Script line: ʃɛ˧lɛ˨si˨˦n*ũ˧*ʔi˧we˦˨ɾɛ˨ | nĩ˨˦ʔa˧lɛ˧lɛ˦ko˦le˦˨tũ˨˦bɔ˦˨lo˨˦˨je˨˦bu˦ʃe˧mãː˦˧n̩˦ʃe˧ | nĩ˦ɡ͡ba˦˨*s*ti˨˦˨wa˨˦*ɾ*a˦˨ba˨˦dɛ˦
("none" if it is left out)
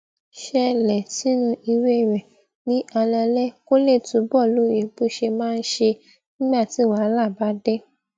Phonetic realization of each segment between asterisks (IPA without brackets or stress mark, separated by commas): ũ˧, none, l